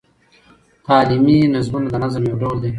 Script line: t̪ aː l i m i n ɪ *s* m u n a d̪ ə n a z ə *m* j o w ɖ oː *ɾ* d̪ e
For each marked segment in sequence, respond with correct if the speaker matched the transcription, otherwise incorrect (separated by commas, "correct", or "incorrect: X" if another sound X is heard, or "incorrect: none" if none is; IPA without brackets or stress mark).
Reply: incorrect: z, correct, incorrect: l